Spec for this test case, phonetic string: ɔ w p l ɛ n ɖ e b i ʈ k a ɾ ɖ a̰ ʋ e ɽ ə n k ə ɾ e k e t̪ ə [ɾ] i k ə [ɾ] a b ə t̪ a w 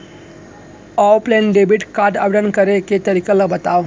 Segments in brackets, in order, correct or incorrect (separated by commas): correct, incorrect